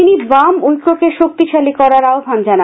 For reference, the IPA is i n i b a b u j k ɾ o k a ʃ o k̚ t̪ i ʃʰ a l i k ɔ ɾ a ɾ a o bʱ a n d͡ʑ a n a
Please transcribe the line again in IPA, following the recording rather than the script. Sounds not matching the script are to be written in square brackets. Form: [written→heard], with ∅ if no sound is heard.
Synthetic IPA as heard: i n i b a [b→m] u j k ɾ o k [a→e] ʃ o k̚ t̪ i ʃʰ a l i k ɔ ɾ a ɾ a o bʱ a n d͡ʑ a n a